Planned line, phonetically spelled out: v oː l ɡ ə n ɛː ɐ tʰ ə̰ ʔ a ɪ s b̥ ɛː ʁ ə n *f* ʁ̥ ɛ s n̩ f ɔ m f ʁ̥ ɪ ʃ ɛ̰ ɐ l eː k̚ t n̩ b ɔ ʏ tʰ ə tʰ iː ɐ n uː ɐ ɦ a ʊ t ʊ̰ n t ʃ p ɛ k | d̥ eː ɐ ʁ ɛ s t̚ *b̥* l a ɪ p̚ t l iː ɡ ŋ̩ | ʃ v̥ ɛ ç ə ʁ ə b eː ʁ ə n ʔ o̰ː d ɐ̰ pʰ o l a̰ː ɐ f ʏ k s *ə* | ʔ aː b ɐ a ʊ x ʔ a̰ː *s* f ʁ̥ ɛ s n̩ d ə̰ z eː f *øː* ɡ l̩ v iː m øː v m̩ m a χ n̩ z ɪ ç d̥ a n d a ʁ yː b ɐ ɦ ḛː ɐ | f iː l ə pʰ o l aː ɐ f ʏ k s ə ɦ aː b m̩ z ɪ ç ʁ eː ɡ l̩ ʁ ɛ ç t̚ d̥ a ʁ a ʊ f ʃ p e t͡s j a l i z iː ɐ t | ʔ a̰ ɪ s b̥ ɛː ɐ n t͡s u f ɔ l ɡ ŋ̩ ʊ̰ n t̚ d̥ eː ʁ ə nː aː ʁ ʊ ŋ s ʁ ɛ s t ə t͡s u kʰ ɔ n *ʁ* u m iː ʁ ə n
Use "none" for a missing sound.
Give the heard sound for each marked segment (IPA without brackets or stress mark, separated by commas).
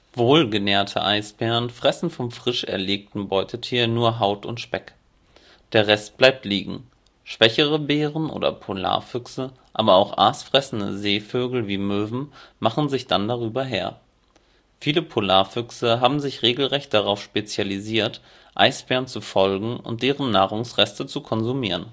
f, b̥, ə, s, øː, z